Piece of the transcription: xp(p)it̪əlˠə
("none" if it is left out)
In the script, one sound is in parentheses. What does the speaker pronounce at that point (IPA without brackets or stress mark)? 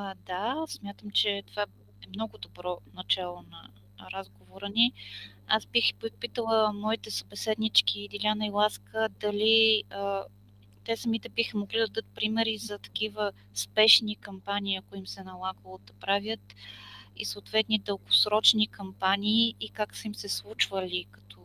p